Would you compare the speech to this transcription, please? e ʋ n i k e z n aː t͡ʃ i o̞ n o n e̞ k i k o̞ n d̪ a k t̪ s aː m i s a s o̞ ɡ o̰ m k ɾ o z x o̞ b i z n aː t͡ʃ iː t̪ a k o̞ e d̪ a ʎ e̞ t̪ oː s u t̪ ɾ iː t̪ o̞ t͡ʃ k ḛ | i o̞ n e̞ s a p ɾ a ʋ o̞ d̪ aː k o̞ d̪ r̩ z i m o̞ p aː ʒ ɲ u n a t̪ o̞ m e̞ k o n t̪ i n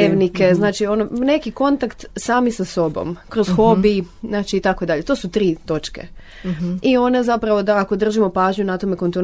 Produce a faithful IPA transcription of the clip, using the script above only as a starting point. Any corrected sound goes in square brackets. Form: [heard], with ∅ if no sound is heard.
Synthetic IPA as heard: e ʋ n i k e z n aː t͡ʃ i o̞ n o n e̞ k i k o̞ n [t̪] a k t̪ s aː m i s a s o̞ [b] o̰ m k ɾ o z x o̞ b i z n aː t͡ʃ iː t̪ a k o̞ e d̪ a ʎ e̞ t̪ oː s u t̪ ɾ iː t̪ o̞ t͡ʃ k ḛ | i o̞ n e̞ [z] a p ɾ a ʋ o̞ d̪ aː k o̞ d̪ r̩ [ʒ] i m o̞ p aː ʒ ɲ u n a t̪ o̞ m e̞ k o n t̪ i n